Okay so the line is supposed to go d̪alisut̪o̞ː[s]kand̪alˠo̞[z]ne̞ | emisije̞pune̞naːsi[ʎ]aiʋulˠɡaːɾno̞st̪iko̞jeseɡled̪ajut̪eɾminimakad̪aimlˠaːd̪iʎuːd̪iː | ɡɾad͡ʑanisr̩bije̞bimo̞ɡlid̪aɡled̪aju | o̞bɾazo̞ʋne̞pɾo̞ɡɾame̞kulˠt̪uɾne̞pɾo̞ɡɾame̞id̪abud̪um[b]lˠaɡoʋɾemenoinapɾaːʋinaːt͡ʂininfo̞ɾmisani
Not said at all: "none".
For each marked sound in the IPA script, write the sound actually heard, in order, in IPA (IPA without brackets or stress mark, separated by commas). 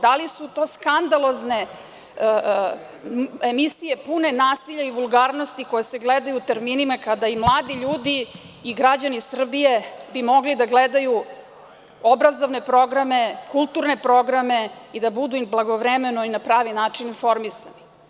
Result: s, z, ʎ, b